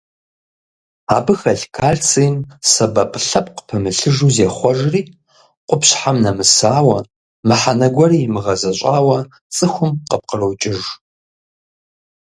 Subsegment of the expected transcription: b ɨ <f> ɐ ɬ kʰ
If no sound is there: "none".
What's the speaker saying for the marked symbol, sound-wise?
x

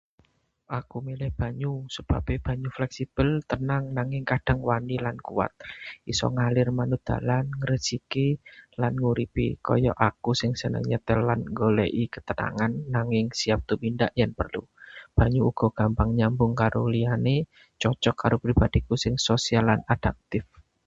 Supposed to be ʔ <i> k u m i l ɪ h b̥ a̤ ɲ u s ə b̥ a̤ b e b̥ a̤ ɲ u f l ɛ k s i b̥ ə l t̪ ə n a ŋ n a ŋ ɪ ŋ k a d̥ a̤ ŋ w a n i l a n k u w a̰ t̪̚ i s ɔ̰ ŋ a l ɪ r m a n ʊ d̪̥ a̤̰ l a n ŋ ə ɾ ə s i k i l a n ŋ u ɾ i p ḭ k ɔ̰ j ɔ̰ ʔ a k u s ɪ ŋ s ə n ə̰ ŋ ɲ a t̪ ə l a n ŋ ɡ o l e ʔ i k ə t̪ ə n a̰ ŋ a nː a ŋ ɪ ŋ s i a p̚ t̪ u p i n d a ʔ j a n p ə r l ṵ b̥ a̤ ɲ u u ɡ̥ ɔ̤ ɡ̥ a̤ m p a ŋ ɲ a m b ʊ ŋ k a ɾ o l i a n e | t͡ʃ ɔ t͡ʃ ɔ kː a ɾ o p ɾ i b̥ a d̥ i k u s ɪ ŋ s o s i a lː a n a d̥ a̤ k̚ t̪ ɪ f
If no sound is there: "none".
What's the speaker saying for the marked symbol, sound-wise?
a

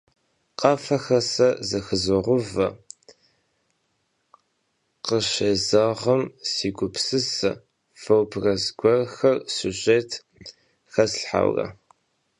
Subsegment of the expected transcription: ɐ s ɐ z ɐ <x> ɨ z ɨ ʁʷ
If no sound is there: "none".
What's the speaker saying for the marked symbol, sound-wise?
x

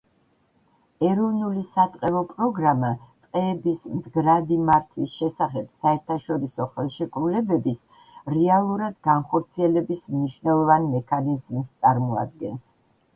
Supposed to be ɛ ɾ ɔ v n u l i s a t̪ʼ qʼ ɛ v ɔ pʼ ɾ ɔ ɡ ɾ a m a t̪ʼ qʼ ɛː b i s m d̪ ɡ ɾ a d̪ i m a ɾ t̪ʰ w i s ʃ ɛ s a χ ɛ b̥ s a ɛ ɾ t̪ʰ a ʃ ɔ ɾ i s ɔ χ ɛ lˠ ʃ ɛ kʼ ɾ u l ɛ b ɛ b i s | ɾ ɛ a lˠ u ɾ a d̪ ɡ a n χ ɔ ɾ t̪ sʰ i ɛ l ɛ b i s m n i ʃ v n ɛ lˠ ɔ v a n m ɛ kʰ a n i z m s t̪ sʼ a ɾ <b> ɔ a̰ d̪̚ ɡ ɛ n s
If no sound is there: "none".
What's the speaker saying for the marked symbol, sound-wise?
m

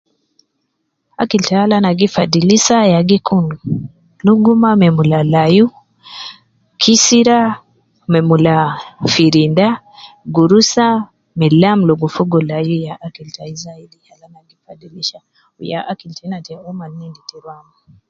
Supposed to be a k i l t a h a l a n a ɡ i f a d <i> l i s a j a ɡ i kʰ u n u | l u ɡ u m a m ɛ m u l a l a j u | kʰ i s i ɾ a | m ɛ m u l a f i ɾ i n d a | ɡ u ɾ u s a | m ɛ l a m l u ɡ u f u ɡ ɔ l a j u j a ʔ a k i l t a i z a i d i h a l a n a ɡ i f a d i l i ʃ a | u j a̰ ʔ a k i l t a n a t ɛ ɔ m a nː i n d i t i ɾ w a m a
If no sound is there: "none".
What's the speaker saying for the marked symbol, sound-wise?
i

